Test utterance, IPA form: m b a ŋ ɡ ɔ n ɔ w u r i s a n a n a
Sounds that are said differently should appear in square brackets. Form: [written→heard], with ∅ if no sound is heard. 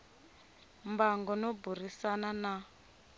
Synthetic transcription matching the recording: m b a ŋ ɡ ɔ n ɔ [w→b] u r i s a n a n a